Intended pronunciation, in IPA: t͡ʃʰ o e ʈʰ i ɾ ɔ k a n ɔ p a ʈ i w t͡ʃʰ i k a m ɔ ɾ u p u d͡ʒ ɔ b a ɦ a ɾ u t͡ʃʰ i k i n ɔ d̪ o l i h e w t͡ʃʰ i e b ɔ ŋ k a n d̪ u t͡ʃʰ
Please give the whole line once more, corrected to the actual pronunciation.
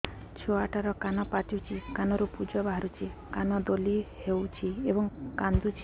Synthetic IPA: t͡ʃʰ o a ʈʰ a ɾ ɔ k a n ɔ p a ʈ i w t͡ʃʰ i k a n ɔ ɾ u p u d͡ʒ ɔ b a ɦ a ɾ u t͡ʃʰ i k a n ɔ d̪ o l i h e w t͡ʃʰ i e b ɔ ŋ k a n d̪ u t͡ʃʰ